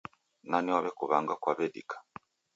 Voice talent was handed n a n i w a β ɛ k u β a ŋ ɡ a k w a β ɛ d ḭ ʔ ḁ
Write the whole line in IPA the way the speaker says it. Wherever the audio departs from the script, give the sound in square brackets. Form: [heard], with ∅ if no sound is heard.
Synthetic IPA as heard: n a n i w a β ɛ k u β a ŋ ɡ a k w a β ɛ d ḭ [k] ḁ